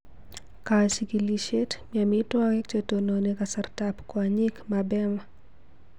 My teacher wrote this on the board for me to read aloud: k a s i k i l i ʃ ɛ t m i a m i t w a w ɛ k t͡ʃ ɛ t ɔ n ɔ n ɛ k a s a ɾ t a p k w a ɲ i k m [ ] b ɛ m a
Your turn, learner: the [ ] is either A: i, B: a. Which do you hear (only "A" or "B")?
B